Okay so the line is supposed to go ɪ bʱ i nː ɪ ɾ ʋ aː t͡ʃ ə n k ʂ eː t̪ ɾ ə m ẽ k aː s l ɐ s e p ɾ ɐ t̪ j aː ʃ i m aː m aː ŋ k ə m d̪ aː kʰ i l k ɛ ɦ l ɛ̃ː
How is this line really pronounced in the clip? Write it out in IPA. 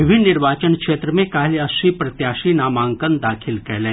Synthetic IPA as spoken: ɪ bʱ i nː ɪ ɾ ʋ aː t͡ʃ ə n k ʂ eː t̪ ɾ ə m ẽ k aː l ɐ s i p ɾ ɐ t̪ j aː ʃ i n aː m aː ŋ k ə n d̪ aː kʰ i l k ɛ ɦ l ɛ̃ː